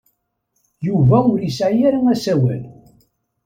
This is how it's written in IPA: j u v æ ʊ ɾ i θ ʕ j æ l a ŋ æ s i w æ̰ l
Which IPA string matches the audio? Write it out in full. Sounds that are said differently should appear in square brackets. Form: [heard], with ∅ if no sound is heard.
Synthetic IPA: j u v æ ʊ ɾ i [s] ʕ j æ [ɾ] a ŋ æ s [æ] w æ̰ l